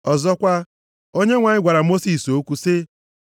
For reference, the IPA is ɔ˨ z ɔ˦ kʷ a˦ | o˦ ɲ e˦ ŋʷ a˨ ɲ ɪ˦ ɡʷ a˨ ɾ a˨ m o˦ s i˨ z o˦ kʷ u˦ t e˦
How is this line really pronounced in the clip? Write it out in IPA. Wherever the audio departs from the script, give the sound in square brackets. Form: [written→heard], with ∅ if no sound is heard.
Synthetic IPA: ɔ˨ z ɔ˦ kʷ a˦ | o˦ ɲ e˦ ŋʷ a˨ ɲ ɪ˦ ɡʷ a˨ ɾ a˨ m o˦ s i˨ [z→s] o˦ kʷ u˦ [t→s] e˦

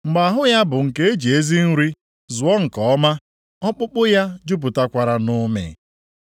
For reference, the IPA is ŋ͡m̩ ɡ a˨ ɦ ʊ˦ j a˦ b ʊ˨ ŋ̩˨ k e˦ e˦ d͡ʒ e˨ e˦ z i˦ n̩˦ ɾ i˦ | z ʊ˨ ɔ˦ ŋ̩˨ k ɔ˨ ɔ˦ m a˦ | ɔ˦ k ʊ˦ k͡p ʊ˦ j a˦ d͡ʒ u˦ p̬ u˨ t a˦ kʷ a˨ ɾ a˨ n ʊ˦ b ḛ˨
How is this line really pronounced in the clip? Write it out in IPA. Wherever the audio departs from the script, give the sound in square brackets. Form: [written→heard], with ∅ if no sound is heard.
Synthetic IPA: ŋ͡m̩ [ɡ→ɡ͡b] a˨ ɦ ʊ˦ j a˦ b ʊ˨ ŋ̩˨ k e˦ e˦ d͡ʒ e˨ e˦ z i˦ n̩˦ ɾ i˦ | z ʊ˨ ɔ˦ ŋ̩˨ k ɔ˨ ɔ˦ m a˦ | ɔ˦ [k→k͡p] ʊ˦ k͡p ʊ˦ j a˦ d͡ʒ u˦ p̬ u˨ t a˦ kʷ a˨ ɾ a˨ n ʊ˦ [b→m] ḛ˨

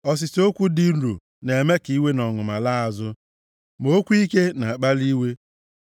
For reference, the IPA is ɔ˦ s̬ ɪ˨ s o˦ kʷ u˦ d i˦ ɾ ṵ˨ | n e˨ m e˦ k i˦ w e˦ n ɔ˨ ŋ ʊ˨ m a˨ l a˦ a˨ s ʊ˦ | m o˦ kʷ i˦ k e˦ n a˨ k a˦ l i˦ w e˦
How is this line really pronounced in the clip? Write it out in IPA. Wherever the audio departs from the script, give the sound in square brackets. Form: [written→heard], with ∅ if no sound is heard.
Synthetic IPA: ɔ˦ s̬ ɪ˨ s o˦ kʷ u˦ d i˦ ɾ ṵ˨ | n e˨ m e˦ k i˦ w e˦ n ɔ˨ ŋ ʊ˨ m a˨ l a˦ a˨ [s→z] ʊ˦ | m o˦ kʷ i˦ k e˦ n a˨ [k→k͡p] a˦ l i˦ w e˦

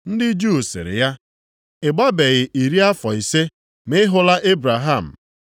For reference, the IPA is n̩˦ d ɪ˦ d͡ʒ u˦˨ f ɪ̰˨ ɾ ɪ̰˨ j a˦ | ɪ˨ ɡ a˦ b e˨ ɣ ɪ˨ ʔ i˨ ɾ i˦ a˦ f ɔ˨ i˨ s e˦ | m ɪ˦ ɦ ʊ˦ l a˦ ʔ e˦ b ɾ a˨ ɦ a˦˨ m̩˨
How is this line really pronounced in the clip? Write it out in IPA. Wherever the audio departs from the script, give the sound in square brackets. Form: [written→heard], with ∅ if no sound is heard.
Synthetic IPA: n̩˦ d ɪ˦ d͡ʒ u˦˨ [f→s] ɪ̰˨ ɾ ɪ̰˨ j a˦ | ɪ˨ [ɡ→ɡ͡b] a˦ b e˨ ɣ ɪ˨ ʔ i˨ ɾ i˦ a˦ f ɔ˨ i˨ s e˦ | m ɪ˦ ɦ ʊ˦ l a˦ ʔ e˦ b ɾ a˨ ɦ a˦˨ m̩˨

